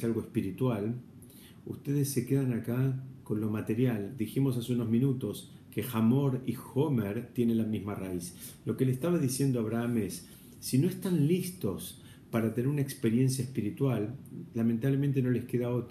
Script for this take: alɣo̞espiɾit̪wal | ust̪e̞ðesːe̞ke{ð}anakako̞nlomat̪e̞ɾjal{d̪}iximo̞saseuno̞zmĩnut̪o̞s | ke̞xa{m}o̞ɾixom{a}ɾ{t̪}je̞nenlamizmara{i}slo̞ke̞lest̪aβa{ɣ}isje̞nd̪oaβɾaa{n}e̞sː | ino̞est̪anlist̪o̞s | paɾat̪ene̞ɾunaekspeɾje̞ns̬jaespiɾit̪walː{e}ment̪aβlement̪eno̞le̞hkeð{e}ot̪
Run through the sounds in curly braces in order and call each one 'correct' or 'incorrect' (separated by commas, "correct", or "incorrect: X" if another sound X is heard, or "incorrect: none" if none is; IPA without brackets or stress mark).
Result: correct, correct, correct, incorrect: e, correct, correct, incorrect: ð, incorrect: m, incorrect: a, incorrect: a